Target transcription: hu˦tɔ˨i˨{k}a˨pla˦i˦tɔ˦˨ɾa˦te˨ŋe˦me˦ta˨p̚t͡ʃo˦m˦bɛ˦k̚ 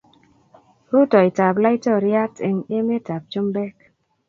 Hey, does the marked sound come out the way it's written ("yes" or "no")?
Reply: no